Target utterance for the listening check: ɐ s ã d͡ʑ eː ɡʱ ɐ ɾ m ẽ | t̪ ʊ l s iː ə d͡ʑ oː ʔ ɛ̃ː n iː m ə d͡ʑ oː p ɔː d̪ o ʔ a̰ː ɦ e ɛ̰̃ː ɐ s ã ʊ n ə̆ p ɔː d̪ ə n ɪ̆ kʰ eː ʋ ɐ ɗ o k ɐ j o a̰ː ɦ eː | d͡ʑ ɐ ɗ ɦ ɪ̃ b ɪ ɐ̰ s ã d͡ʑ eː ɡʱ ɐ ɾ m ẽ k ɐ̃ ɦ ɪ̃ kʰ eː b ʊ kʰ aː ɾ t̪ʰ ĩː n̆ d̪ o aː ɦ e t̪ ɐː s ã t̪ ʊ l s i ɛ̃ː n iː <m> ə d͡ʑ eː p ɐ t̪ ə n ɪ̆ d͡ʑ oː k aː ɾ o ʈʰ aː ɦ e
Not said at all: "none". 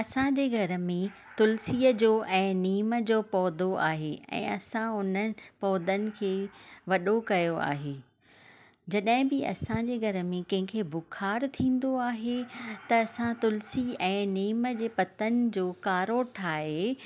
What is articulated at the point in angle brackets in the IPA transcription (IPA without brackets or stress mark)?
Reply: m